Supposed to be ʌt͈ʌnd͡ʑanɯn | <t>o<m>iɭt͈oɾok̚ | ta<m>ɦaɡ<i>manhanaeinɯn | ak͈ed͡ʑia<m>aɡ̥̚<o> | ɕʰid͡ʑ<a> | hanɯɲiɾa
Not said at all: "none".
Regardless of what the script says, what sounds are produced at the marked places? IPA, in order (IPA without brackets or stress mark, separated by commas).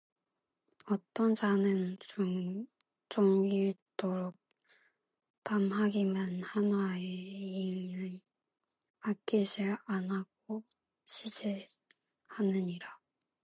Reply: t͡ɕ, ŋ, m, i, n, o, e